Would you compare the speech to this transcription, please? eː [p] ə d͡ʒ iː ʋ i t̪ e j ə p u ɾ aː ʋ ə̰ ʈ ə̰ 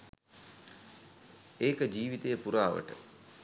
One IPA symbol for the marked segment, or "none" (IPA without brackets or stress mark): k